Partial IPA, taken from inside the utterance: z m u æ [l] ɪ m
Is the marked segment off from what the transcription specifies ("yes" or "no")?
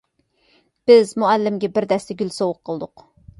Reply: yes